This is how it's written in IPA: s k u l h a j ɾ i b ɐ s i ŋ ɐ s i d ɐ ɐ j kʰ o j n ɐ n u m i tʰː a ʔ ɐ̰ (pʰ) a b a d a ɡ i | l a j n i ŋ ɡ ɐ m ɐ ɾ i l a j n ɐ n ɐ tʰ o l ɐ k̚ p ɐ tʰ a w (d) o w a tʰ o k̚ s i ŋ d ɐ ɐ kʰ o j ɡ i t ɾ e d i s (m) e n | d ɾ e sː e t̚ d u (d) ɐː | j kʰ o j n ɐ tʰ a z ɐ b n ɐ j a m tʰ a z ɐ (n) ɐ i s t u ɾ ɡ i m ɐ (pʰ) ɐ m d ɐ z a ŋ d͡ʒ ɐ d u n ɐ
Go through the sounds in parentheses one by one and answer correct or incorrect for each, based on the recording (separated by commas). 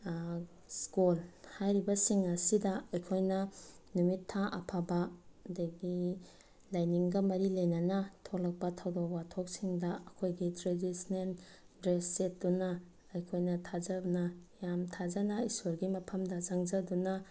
correct, correct, incorrect, incorrect, correct, correct